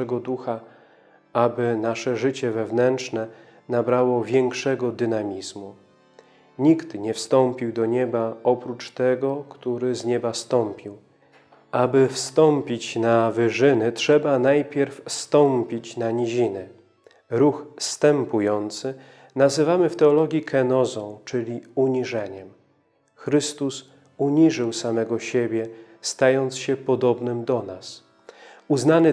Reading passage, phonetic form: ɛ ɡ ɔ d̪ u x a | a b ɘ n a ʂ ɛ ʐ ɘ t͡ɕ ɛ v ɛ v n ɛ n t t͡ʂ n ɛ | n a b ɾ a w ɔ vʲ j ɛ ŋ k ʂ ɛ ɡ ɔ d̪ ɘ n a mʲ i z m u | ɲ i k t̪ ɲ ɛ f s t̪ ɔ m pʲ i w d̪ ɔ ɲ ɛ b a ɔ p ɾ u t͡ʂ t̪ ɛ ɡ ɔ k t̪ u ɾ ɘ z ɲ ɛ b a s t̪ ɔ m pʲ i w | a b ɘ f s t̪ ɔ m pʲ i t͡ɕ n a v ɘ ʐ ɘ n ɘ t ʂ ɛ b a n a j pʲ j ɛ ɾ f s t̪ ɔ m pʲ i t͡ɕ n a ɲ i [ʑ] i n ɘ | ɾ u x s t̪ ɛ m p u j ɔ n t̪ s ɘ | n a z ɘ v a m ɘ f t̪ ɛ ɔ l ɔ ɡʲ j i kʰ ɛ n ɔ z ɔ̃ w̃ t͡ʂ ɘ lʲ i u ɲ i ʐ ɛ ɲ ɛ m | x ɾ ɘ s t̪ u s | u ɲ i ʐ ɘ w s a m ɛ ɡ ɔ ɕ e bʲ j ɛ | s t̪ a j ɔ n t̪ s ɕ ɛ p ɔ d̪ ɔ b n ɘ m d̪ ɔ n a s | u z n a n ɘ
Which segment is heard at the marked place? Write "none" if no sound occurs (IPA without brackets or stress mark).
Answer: ʑ